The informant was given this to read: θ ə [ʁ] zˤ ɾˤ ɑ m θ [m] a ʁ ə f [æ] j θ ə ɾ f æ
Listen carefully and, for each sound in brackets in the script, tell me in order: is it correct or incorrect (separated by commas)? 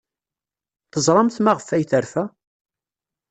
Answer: incorrect, correct, correct